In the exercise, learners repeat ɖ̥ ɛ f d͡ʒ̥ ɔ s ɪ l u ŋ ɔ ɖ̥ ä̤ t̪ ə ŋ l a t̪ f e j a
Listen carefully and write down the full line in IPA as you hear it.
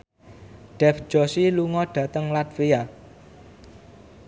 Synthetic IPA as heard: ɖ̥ ɛ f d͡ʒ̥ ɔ s i l u ŋ ɔ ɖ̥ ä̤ t̪ ə ŋ l a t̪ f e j a